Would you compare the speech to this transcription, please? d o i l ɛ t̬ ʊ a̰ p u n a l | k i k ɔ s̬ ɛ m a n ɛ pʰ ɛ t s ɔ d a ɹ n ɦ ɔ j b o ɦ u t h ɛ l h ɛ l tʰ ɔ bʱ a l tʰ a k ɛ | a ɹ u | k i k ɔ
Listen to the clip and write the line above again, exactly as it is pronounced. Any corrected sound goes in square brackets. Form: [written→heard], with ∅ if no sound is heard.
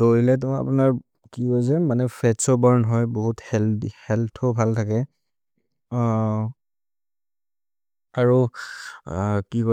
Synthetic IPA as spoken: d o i l ɛ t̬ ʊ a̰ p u n a [l→ɹ] | k i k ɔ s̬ ɛ m a n ɛ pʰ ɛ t s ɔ [d→b] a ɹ n ɦ ɔ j b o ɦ u t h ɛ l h ɛ l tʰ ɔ bʱ a l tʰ a k ɛ | a ɹ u | k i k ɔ